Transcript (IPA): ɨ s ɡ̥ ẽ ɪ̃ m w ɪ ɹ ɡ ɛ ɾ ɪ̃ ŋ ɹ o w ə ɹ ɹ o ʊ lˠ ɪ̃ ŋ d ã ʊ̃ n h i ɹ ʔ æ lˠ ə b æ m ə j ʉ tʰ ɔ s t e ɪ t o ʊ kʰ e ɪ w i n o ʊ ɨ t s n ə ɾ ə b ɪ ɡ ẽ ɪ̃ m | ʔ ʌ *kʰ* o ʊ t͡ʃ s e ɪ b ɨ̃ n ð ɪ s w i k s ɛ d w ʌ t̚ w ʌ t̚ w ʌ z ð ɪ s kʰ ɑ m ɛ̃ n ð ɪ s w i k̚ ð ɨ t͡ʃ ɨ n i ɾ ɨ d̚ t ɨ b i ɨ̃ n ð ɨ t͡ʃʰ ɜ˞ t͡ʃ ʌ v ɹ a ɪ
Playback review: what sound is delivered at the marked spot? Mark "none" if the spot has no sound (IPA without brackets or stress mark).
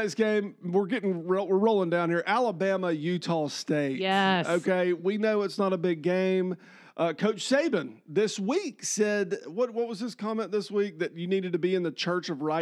kʰ